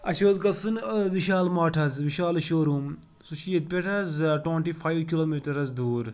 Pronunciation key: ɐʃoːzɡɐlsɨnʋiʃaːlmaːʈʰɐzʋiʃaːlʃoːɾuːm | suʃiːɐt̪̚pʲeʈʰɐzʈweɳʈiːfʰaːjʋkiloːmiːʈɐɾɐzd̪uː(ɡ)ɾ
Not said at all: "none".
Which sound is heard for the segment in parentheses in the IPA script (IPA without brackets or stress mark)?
none